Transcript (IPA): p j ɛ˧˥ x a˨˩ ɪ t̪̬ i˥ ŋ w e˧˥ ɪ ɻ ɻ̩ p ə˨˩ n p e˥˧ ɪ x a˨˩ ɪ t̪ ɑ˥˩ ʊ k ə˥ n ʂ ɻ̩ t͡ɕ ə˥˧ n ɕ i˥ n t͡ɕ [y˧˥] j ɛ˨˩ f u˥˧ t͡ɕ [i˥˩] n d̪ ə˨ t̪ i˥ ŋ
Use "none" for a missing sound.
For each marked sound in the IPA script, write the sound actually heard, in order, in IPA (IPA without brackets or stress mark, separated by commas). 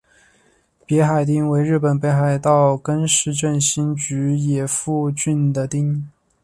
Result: y˧˥, y˥˩